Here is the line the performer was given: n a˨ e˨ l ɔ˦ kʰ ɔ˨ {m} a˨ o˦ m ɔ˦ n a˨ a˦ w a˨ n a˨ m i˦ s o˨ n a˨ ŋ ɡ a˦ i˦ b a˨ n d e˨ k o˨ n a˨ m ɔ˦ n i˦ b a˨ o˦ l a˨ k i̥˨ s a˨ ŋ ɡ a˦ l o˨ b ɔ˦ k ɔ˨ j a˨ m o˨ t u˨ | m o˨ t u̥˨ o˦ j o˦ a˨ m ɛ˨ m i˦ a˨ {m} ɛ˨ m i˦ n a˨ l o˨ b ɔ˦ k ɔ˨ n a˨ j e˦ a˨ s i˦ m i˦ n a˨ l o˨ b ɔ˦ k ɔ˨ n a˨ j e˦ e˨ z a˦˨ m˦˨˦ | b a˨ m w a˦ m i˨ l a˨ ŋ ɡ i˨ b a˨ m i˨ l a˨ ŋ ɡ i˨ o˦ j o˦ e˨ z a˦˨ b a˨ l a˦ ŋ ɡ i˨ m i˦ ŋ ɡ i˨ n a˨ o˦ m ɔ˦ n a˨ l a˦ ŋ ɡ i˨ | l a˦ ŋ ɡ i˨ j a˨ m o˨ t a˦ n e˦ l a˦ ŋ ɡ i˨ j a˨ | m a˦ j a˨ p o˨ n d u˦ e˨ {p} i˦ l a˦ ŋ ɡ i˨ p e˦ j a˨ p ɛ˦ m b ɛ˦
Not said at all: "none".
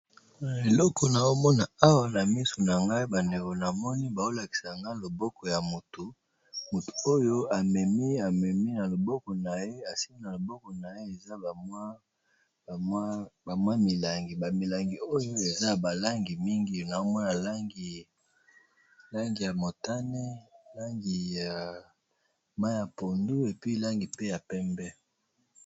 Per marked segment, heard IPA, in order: n, m, p

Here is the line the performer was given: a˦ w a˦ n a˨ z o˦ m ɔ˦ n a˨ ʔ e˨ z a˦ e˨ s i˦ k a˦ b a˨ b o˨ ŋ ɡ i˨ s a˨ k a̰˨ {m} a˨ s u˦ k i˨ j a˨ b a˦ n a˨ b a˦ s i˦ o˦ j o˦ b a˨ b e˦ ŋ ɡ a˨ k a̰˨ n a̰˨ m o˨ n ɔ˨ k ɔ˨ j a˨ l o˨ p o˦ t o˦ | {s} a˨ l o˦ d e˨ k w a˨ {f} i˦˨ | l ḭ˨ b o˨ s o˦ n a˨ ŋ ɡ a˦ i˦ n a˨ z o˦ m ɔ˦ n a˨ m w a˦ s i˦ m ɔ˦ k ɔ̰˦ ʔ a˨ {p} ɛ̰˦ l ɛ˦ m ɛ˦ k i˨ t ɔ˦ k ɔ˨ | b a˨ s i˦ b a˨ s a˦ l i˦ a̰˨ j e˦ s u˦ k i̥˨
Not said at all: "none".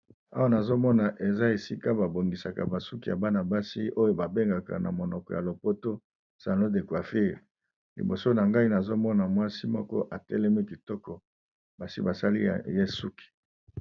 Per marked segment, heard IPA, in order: b, s, f, t

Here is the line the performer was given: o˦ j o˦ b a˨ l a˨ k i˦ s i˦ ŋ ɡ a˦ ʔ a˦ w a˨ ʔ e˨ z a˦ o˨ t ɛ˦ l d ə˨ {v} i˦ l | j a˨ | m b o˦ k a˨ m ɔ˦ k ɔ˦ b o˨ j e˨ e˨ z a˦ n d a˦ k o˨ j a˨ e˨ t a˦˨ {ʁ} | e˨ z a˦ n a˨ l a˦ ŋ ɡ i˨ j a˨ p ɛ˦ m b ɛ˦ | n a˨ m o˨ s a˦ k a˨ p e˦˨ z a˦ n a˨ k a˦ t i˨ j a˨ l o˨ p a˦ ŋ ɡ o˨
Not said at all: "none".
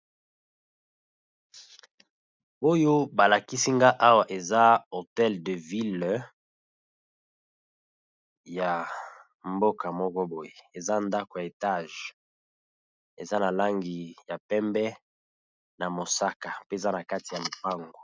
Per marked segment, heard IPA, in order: v, ʒ

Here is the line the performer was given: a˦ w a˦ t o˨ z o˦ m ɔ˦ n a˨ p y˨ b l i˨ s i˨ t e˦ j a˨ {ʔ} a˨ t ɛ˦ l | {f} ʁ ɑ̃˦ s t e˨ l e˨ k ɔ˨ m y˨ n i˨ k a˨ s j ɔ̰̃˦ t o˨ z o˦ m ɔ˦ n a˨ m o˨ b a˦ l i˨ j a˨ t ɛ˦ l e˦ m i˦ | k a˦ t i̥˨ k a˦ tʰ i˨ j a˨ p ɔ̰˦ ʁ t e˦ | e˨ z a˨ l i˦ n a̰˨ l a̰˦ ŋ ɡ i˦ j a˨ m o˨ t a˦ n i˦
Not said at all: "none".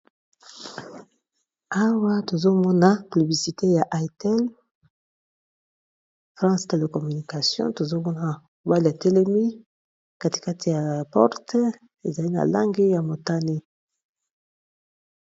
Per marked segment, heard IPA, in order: ʔ, f

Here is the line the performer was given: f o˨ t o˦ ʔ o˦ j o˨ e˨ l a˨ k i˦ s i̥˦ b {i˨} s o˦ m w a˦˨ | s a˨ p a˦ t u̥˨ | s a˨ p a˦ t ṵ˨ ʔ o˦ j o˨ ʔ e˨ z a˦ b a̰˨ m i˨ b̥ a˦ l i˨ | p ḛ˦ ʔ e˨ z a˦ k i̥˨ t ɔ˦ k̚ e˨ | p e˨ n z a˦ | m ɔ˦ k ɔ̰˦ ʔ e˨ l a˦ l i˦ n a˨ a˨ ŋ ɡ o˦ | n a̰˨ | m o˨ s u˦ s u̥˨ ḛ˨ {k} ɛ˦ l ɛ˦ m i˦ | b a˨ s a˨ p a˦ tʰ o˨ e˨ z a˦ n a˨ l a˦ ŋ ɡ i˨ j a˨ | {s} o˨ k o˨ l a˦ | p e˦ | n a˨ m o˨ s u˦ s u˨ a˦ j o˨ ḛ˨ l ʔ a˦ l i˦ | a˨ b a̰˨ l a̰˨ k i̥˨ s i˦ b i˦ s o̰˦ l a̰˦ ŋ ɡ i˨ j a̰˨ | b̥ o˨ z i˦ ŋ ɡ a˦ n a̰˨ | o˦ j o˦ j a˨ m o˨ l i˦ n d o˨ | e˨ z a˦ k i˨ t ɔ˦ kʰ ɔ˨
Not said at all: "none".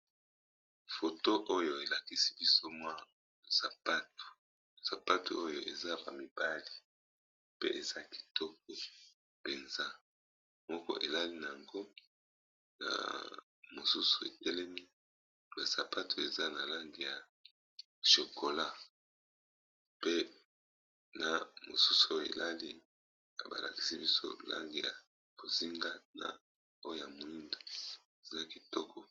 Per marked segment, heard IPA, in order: i˦, t, ʃ

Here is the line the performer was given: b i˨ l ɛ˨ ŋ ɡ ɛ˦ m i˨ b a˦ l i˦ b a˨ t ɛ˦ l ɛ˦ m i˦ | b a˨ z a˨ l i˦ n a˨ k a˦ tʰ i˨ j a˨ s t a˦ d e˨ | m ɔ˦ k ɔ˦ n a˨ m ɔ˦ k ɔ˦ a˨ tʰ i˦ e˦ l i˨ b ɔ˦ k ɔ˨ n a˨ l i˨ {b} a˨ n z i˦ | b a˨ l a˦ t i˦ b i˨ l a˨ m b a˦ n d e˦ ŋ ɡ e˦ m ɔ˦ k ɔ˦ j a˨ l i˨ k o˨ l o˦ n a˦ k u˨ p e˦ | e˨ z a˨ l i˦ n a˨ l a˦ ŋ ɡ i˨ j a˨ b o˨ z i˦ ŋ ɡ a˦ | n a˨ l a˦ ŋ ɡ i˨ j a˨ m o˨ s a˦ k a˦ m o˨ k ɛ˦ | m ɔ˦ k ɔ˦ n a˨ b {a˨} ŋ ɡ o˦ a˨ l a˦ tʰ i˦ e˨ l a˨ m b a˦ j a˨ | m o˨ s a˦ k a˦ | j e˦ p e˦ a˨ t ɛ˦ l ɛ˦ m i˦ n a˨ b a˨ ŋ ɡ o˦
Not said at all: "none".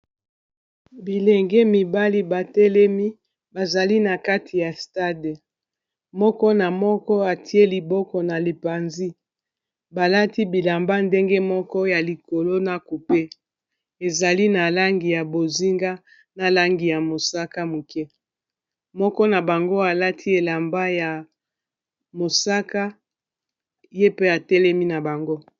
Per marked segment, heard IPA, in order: p, a˨

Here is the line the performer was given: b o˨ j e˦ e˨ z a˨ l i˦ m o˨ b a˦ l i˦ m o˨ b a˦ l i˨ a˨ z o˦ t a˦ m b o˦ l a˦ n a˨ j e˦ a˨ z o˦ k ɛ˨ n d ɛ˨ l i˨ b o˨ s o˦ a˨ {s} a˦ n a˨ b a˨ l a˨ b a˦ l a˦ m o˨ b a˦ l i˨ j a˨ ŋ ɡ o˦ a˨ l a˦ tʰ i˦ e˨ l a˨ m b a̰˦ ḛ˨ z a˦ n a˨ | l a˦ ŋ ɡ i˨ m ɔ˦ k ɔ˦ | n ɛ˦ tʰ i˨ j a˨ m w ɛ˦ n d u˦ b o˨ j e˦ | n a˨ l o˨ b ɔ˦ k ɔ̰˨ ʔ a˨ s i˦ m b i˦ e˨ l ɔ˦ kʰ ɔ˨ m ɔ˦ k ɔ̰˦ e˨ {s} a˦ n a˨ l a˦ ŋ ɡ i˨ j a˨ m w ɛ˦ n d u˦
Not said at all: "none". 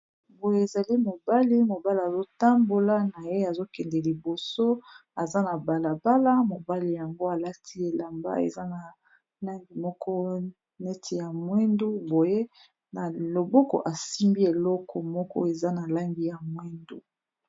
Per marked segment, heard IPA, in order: z, z

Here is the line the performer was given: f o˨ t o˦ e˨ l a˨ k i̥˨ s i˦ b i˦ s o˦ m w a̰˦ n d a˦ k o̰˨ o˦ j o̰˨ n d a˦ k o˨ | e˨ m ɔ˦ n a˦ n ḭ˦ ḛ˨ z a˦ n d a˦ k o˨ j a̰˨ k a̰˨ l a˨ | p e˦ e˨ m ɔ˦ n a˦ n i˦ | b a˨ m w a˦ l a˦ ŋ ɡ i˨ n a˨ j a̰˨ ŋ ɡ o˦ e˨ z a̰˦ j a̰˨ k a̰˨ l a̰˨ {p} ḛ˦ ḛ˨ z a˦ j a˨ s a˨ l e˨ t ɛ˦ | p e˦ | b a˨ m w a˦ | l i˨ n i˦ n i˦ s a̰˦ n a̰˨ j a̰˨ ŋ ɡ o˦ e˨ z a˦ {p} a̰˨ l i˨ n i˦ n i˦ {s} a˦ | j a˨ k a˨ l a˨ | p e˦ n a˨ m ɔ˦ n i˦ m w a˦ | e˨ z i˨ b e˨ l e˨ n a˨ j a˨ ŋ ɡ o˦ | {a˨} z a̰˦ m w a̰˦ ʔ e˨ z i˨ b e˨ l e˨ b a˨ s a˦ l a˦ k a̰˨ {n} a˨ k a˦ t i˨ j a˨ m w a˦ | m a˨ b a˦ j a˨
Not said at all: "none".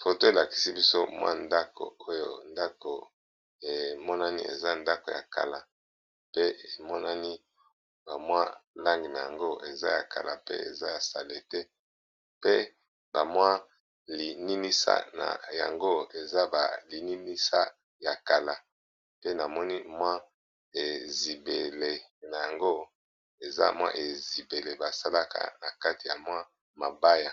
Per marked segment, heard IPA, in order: p, b, s, e˨, n

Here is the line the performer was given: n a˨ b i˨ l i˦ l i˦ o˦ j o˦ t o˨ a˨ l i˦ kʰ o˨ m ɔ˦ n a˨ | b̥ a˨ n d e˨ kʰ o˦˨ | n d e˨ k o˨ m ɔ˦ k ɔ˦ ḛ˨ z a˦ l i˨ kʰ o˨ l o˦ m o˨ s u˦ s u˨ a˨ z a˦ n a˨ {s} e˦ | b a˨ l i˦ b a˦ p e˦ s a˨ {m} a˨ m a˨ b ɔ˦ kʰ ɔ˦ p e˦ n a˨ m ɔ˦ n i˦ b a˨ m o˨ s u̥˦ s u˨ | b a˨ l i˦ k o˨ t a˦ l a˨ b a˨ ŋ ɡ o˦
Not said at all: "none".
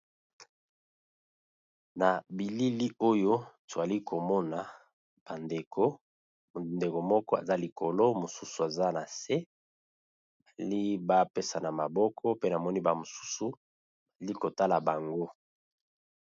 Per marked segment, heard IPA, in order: s, n

